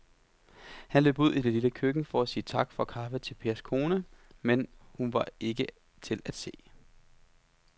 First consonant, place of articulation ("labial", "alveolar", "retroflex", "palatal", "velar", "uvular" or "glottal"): glottal